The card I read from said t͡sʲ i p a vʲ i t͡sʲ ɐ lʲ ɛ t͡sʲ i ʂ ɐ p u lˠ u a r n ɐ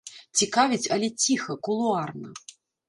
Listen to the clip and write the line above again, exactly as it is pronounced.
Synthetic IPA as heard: t͡sʲ i k a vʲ i t͡sʲ ɐ lʲ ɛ t͡sʲ i x ɐ k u lˠ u a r n ɐ